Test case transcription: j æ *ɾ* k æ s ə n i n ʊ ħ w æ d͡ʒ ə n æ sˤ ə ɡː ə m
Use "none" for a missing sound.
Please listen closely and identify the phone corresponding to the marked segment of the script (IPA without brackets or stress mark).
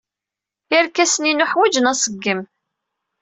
ɾ